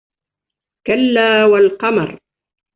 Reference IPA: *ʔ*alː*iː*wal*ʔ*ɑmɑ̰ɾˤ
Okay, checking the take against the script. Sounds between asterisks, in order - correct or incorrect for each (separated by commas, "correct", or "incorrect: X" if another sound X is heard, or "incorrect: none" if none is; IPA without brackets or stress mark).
incorrect: k, incorrect: aː, incorrect: q